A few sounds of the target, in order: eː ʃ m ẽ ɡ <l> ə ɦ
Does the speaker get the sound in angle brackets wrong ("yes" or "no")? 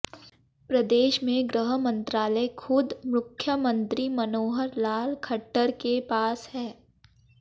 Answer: yes